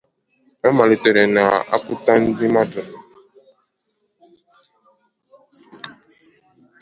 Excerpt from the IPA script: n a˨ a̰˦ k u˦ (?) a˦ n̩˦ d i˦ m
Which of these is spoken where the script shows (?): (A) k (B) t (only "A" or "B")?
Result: B